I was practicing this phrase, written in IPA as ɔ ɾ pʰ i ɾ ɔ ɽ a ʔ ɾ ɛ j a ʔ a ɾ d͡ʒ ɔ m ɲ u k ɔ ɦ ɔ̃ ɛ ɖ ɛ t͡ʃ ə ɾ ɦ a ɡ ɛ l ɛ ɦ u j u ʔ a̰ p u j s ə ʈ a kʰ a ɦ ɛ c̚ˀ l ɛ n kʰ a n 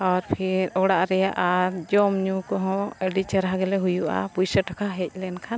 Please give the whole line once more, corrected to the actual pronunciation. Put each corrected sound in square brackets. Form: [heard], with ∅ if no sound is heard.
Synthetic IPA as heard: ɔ ɾ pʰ i ɾ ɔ ɽ a ʔ ɾ ɛ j a ʔ a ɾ d͡ʒ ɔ m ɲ u k ɔ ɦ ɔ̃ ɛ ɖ [i] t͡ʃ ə ɾ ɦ a ɡ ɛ l ɛ ɦ u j u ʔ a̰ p u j s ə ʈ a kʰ a ɦ ɛ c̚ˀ l ɛ n kʰ a n